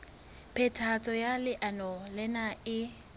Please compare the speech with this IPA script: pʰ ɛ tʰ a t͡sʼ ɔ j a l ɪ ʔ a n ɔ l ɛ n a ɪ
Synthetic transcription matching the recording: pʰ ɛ tʰ a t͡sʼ ɔ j a l ɪ ʔ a n ɔ l ɛ n a ɪ